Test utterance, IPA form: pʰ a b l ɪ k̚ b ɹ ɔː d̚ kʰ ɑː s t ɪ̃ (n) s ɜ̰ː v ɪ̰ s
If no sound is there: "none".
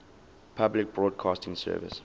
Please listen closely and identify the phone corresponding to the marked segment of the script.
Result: ŋ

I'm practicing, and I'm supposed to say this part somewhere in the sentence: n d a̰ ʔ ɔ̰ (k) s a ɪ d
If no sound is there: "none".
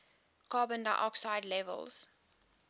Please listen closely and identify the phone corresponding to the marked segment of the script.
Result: k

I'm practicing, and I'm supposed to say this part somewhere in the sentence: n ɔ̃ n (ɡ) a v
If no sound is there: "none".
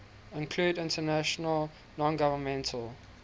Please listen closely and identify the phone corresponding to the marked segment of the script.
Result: ɡ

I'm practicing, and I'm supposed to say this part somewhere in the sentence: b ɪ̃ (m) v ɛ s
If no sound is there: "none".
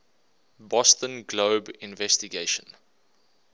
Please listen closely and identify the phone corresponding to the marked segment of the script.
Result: n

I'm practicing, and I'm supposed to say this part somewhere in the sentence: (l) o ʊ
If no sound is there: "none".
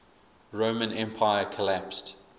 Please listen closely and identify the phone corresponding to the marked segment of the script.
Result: ɹ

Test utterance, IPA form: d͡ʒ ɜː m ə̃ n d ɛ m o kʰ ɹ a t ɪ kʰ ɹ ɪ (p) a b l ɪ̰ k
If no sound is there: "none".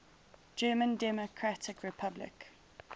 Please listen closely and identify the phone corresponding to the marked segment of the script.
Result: pʰ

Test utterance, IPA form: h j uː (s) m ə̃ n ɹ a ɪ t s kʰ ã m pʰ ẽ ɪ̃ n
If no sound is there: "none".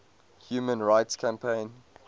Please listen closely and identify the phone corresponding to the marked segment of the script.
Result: none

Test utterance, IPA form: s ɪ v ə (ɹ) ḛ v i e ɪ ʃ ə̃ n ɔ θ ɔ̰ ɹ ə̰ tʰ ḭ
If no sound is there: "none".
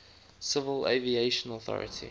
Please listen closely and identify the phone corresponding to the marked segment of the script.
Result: l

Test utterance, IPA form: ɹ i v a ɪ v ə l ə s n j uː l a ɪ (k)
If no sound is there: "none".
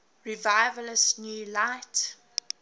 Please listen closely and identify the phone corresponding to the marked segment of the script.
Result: t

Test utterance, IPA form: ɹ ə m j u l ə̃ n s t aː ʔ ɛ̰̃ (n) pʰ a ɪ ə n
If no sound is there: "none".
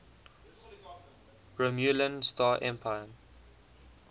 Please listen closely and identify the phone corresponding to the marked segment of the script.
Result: m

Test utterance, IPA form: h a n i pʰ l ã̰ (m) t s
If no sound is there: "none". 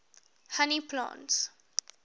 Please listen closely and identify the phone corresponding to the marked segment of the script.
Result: n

